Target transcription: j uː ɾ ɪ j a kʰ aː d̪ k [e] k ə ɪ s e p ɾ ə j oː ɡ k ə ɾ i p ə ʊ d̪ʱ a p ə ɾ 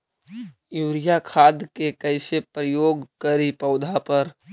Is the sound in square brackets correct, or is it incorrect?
correct